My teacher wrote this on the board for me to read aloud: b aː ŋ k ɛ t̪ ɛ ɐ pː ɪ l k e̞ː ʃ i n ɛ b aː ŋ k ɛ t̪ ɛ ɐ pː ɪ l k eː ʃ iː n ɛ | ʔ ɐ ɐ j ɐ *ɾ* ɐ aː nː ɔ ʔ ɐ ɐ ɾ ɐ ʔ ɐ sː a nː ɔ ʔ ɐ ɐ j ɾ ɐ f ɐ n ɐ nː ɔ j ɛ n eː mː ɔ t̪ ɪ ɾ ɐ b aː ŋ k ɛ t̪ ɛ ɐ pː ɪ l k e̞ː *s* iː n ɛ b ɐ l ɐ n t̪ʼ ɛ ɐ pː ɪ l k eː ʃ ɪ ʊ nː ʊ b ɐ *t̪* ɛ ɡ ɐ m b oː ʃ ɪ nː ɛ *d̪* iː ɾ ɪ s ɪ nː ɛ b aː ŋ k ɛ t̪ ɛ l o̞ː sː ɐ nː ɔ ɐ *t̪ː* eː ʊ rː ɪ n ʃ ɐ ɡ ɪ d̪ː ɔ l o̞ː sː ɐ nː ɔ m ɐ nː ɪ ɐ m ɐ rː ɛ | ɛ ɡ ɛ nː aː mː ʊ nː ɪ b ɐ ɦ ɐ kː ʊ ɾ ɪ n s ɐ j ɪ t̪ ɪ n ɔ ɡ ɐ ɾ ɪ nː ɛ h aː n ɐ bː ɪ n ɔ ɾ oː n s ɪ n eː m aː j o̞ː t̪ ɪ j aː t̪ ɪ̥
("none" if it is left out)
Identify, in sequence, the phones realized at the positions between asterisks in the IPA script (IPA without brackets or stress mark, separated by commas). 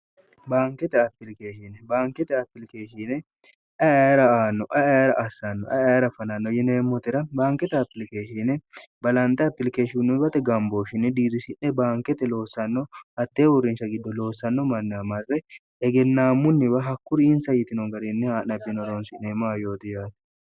ɾ, ʃ, t̪, d̪, t̪ː